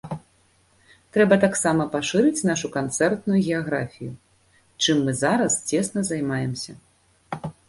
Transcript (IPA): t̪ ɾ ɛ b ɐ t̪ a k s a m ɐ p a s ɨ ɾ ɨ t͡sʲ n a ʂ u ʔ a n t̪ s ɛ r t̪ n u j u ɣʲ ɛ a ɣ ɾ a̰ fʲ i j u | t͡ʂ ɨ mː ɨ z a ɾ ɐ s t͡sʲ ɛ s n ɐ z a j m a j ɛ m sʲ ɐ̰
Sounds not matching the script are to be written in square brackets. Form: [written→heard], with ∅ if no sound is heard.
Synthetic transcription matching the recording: t̪ ɾ ɛ b ɐ t̪ a k s a m ɐ p a [s→ʂ] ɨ ɾ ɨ t͡sʲ n a ʂ u [ʔ→k] a n t̪ s ɛ r t̪ n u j u ɣʲ ɛ a ɣ ɾ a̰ fʲ i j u | t͡ʂ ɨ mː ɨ z a ɾ ɐ s t͡sʲ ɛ s n ɐ z a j m a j ɛ m sʲ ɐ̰